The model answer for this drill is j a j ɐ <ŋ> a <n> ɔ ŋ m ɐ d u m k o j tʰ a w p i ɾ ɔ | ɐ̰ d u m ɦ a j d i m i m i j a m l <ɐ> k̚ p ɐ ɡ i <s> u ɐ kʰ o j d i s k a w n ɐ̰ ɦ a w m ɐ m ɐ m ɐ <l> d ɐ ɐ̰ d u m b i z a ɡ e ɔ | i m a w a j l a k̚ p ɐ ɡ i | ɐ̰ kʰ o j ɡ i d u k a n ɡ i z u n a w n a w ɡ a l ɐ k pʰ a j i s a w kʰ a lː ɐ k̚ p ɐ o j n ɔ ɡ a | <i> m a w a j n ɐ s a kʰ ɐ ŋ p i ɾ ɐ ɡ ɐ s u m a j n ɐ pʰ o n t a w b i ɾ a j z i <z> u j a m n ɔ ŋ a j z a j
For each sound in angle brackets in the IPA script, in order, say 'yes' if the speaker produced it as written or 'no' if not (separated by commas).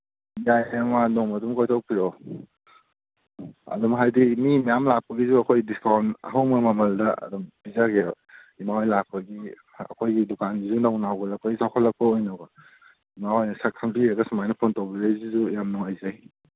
no, yes, no, no, yes, yes, yes